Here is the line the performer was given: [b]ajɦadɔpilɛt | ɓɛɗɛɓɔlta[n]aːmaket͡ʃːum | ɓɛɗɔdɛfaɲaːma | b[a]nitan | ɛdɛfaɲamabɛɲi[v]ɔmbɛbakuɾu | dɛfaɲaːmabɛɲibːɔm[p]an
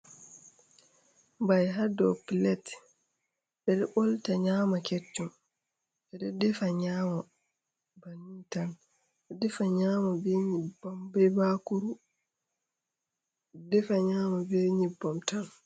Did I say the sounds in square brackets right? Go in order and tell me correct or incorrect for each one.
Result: correct, incorrect, correct, incorrect, incorrect

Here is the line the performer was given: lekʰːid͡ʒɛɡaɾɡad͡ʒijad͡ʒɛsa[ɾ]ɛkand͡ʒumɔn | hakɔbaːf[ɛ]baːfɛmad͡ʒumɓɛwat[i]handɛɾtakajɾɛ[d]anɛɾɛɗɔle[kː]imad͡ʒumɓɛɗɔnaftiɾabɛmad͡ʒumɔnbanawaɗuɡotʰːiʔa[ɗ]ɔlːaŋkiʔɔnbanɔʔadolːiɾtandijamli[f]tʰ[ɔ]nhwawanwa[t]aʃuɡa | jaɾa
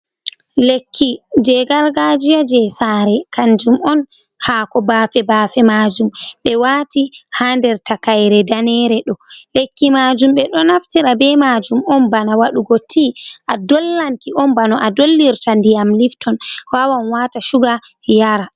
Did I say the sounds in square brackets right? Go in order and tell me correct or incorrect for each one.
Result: correct, correct, correct, correct, correct, incorrect, correct, correct, correct

